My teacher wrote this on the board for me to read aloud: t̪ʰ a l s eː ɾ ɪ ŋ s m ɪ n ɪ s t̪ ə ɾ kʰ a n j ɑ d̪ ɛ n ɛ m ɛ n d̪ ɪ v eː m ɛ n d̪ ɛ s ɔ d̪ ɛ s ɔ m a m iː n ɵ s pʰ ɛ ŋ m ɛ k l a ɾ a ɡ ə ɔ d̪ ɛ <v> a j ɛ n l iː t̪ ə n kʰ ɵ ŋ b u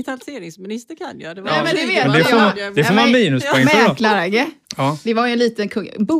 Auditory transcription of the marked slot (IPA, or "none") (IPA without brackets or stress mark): v